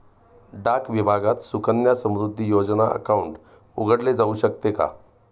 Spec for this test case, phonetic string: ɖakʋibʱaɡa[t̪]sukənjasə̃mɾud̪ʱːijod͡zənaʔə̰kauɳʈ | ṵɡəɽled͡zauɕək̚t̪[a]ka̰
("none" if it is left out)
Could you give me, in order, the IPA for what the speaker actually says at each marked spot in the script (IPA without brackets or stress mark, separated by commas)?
t̪, e